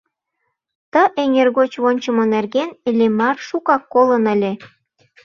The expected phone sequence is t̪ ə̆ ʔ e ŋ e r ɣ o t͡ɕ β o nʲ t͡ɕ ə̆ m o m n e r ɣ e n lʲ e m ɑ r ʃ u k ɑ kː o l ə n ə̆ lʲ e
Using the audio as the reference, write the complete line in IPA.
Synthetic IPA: t̪ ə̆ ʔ e ŋ e r ɣ o t͡ɕ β o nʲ t͡ɕ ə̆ m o n e r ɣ e n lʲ e m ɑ r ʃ u k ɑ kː o l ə n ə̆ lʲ e